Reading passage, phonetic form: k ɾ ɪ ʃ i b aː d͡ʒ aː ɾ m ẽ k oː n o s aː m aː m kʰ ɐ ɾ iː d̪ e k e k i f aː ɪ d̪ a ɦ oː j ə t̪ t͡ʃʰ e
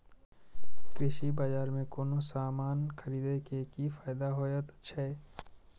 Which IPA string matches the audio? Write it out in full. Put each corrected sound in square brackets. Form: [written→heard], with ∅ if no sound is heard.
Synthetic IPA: k ɾ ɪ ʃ i b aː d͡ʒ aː ɾ m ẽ k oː n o s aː m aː [m→n] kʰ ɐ ɾ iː d̪ e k e k i f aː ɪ d̪ a ɦ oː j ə t̪ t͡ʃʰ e